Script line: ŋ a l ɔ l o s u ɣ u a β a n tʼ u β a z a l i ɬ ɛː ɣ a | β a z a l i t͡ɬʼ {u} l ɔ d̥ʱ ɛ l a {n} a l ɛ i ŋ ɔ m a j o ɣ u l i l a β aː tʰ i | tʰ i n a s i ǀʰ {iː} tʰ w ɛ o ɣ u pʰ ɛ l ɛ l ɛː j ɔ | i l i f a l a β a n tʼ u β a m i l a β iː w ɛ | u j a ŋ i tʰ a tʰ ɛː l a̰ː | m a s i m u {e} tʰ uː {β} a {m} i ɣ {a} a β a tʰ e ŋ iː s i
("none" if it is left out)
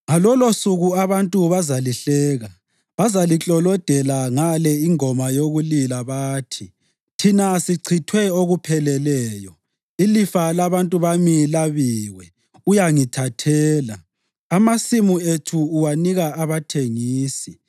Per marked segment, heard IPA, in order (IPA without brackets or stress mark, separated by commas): ɔ, ŋ, i, e, w, n, a